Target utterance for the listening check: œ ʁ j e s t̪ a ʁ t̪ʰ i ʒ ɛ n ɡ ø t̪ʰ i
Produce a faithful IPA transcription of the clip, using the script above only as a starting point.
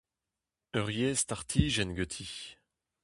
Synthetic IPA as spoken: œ ʁ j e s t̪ a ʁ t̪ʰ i ʒ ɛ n ɡ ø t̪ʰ i

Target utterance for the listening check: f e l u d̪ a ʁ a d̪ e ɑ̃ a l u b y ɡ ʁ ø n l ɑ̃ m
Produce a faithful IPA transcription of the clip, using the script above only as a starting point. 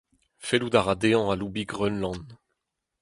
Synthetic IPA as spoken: f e l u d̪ a ʁ a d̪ e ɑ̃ a l u b i ɡ ʁ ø n l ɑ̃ n

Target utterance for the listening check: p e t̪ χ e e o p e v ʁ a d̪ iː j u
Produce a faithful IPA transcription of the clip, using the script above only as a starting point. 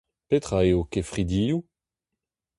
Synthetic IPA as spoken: p e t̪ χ a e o k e f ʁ i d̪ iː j u

